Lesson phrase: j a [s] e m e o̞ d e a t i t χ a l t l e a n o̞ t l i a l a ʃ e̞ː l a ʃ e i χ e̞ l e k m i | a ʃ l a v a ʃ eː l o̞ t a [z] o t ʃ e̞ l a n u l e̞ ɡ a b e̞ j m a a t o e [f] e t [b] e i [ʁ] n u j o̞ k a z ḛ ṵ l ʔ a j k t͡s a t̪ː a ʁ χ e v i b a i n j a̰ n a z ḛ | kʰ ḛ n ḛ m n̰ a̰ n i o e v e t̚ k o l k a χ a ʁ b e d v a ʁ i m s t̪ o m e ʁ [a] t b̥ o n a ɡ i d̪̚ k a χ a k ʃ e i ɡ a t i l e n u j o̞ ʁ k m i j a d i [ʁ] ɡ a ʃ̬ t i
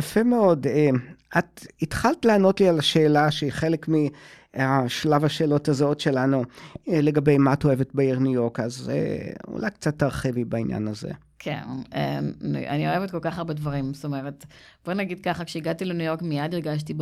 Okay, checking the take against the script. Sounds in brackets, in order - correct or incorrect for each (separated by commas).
incorrect, correct, incorrect, correct, correct, incorrect, correct